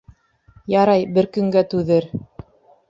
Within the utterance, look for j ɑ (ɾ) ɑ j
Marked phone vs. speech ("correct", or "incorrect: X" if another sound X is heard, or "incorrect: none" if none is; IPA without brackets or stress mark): correct